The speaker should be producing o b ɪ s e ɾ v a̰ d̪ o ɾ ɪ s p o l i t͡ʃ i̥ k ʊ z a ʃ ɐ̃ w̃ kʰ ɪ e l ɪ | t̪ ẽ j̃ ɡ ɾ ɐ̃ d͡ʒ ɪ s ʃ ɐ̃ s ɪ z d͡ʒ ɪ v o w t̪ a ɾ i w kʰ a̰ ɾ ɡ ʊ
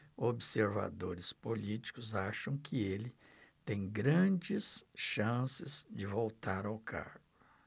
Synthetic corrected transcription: o b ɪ s e ɾ v a̰ d̪ o ɾ ɪ s p o l i t͡ʃ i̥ k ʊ z a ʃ ɐ̃ w̃ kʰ ɪ e l ɪ | t̪ ẽ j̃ ɡ ɾ ɐ̃ d͡ʒ ɪ s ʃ ɐ̃ s ɪ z d͡ʒ ɪ v o w t̪ a ɾ a w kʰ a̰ ɾ ɡ ʊ

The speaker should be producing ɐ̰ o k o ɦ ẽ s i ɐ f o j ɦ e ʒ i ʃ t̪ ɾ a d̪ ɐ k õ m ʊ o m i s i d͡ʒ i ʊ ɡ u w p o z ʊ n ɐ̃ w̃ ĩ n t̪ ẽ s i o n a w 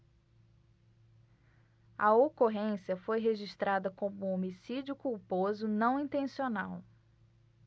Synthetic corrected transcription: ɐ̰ o k o ɦ ẽ s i ɐ f o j ɦ e ʒ i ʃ t̪ ɾ a d̪ ɐ k õ m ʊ o m i s i d͡ʒ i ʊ k u w p o z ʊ n ɐ̃ w̃ ĩ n t̪ ẽ s i o n a w

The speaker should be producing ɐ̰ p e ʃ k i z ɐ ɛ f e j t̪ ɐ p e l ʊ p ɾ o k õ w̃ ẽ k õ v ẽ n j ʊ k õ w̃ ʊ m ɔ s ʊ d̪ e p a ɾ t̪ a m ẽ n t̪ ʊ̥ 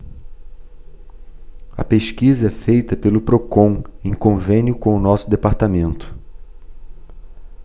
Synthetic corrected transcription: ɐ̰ p e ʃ k i z ɐ ɛ f e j t̪ ɐ p e l ʊ p ɾ o k õ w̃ ẽ k õ v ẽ n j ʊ k õ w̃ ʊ n ɔ s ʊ d̪ e p a ɾ t̪ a m ẽ n t̪ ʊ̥

